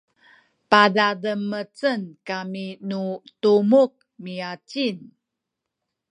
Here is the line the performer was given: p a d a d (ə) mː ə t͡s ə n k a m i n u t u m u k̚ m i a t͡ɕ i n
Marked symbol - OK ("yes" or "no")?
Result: yes